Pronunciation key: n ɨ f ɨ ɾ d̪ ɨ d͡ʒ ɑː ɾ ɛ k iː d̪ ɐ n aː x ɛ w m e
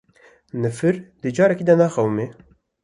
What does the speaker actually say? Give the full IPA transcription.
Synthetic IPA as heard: n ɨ f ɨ ɾ d̪ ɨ d͡ʒ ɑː ɾ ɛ k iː d̪ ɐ n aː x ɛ w m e